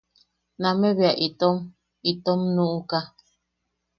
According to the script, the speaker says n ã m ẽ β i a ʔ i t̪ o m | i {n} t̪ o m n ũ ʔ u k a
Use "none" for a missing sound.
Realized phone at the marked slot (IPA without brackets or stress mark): none